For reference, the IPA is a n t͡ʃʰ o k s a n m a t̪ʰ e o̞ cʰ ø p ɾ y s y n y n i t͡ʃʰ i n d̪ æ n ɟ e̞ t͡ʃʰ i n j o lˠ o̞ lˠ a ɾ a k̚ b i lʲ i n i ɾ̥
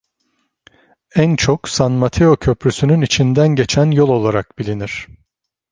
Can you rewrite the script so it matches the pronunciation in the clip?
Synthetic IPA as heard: æ n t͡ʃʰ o k s a n m a t̪ʰ e o̞ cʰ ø p ɾ y s y n y n i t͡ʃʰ i n d̪ æ n ɟ e̞ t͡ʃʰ æ n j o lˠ o̞ lˠ a ɾ a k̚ b i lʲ i n i ɾ̥